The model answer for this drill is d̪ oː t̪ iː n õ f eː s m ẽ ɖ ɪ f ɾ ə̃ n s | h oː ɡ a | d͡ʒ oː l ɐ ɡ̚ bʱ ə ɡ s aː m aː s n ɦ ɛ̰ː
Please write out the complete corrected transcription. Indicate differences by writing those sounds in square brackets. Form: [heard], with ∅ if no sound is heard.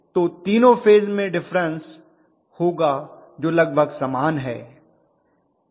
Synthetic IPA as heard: [t̪] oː t̪ iː n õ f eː [z] m ẽ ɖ ɪ f ɾ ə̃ n s | h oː ɡ a | d͡ʒ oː l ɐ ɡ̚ bʱ ə ɡ s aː m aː [∅] n ɦ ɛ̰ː